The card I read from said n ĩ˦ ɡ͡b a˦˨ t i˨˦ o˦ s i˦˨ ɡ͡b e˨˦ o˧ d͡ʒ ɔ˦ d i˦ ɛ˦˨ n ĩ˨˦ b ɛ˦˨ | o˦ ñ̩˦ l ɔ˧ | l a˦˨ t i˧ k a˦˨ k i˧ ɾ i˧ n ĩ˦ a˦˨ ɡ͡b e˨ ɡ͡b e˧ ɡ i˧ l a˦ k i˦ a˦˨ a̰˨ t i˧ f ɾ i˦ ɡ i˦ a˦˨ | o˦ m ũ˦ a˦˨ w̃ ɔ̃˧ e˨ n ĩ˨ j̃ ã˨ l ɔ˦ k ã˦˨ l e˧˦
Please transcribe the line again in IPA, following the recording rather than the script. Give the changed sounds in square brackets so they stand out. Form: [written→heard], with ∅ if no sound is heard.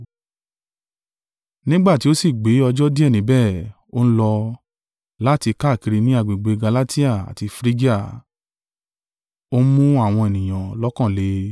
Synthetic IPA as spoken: n ĩ˦ ɡ͡b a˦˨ t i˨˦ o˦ s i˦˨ ɡ͡b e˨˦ [o˧→ɔ˧] d͡ʒ ɔ˦ d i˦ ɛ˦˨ n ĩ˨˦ b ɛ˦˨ | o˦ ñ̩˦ l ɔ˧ | l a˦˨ t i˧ k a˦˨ k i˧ ɾ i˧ n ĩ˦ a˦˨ ɡ͡b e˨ ɡ͡b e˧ ɡ [i˧→a˧] l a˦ [k→t] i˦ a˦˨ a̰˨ t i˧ f ɾ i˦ ɡ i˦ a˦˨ | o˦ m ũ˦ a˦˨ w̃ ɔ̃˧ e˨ n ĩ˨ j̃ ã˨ l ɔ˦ k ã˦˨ l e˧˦